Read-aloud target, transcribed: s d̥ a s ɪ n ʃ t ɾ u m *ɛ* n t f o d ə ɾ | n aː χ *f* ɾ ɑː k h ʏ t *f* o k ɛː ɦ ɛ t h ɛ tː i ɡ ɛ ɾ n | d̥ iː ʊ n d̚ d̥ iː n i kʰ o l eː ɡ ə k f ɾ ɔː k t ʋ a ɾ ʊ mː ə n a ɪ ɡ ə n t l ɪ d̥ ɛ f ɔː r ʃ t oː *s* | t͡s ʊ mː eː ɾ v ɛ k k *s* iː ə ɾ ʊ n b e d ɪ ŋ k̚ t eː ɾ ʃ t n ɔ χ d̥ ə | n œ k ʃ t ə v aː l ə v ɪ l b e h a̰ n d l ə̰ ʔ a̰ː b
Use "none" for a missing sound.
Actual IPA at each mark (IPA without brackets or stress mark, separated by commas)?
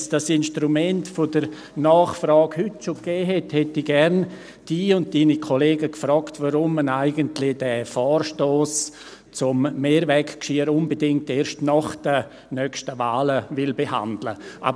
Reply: ɛ, f, ʃ, s, ʃ